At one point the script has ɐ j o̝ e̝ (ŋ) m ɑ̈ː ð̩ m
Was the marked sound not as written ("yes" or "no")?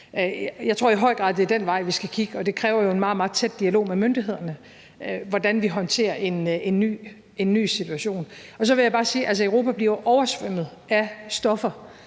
yes